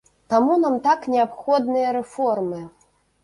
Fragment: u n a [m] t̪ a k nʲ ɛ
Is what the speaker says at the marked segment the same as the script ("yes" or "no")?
yes